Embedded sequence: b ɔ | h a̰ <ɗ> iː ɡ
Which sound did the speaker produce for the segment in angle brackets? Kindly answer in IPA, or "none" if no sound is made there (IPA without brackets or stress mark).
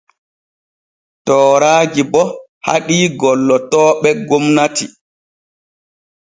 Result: ɗ